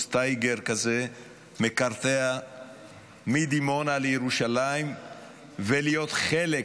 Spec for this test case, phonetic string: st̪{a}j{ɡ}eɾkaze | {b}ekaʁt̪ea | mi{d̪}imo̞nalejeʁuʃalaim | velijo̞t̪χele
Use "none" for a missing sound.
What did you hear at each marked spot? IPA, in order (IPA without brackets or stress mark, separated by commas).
a, ɡ, m, d̪